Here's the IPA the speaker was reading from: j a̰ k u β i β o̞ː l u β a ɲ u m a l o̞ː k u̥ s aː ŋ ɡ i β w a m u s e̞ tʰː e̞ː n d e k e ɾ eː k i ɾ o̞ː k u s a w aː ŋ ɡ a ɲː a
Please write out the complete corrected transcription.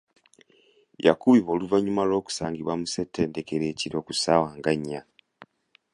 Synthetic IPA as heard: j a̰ k u β i β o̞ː l u v a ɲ u m a l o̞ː k u̥ s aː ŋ ɡ i β w a m u s e̞ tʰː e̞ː n d e k e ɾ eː c i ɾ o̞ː k u s a w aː ŋ ɡ a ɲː a